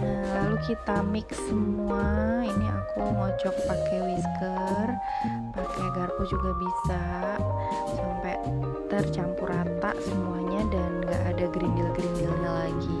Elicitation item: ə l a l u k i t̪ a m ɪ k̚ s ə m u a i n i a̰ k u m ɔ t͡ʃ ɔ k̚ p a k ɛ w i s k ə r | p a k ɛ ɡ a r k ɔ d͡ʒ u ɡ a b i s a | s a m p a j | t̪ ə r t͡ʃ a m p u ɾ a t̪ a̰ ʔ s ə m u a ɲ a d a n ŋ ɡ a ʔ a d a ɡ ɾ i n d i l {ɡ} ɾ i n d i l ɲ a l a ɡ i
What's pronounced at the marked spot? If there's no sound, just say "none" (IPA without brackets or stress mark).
ɡ